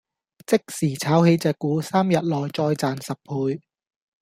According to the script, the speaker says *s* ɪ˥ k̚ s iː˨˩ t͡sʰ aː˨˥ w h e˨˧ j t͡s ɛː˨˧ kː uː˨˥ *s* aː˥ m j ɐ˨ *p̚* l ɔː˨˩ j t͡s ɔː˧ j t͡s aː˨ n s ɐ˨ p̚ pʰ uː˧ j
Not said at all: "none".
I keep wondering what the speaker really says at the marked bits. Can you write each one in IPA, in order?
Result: t͡s, s, t̚

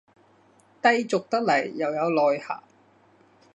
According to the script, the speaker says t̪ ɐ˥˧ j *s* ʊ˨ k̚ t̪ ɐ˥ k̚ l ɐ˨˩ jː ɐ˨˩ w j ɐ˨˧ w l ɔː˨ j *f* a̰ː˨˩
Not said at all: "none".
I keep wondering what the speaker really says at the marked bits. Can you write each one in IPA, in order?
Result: t͡s, h

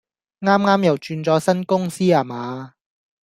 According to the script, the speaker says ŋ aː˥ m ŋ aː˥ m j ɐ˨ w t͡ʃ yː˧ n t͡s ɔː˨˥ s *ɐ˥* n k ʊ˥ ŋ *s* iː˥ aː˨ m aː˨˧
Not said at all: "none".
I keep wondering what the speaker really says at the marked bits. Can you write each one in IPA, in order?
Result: ɐ˥, s

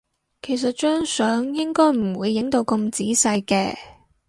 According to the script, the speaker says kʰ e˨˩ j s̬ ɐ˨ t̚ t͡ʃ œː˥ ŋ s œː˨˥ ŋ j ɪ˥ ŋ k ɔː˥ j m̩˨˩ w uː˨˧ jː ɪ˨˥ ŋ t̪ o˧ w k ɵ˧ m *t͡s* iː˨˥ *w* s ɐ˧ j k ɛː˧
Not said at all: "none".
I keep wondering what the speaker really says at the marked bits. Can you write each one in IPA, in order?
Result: t͡s, none

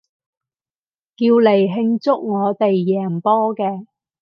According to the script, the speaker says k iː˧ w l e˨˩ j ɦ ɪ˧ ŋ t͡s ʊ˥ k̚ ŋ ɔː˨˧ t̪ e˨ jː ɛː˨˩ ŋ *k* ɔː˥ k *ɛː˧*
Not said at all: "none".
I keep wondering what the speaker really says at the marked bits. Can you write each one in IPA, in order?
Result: p, ɛː˧

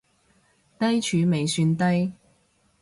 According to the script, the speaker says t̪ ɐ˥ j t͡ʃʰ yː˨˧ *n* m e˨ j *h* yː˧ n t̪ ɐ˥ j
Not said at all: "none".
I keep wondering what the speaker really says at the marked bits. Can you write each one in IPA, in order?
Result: none, s

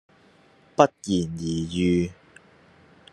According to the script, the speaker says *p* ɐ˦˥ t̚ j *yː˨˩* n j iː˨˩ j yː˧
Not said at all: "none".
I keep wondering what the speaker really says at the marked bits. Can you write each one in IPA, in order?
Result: p, iː˨˩

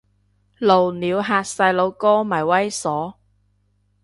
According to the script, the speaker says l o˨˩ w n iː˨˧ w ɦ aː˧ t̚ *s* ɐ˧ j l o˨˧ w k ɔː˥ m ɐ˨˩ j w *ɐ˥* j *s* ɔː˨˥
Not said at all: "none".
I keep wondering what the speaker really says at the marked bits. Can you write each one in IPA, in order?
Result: s, ɐ˥, s

